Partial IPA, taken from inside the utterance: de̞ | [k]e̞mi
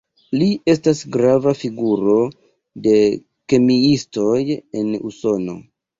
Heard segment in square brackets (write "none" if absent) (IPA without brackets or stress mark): k